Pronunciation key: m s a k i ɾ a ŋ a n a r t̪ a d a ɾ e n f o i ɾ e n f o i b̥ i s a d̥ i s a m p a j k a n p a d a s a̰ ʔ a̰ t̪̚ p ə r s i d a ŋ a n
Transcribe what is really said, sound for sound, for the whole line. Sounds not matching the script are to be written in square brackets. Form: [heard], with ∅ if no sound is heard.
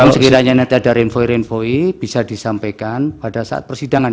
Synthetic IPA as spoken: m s [ə] k i ɾ a [ɲ] a n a [∅] t̪ a d a ɾ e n f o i ɾ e n f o i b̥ i s a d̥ i s a m p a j k a n p a d a s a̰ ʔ a̰ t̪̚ p ə r s i d a ŋ a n